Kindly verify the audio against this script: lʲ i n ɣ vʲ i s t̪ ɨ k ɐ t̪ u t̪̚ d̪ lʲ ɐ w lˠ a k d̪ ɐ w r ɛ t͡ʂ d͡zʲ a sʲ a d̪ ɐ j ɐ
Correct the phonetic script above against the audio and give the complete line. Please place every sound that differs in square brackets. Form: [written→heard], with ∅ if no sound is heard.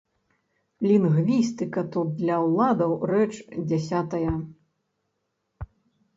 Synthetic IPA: lʲ i n ɣ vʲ i s t̪ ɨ k ɐ t̪ u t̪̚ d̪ lʲ ɐ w lˠ a [k→∅] d̪ ɐ w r ɛ t͡ʂ d͡zʲ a sʲ a [d̪→t̪] ɐ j ɐ